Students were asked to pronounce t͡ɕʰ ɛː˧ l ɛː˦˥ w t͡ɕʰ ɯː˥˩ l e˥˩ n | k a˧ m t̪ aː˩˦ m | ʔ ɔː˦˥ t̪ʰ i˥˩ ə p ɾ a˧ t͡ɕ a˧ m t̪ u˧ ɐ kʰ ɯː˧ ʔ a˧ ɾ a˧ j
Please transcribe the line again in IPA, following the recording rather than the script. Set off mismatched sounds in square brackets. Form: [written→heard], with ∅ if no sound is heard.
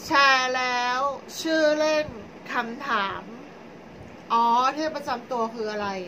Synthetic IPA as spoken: t͡ɕʰ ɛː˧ l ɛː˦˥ w t͡ɕʰ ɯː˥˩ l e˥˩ n | [k→kʰ] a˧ m [t̪→t̪ʰ] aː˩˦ m | ʔ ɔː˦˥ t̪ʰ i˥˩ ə p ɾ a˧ t͡ɕ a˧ m t̪ u˧ ɐ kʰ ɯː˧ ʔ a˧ ɾ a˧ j

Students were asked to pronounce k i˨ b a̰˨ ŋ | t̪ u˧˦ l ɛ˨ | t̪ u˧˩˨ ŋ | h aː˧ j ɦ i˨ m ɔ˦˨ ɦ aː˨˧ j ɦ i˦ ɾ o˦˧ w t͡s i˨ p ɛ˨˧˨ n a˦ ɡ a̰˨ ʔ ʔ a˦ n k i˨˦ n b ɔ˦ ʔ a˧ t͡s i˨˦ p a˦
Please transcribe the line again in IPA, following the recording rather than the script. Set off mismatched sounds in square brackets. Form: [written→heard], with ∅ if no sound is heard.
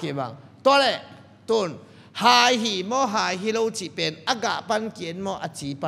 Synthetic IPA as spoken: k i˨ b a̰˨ ŋ | t̪ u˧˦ l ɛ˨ | t̪ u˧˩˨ [ŋ→n] | h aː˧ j ɦ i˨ m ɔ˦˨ ɦ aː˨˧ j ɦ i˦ [ɾ→l] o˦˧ w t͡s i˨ p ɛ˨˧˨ n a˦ ɡ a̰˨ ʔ [ʔ→p] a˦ n k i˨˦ n [b→m] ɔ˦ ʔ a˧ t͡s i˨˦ p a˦

